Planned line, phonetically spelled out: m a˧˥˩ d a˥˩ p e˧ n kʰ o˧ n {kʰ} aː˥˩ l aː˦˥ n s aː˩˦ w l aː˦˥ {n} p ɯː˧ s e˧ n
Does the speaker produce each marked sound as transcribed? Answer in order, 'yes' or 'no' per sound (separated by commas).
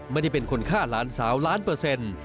yes, yes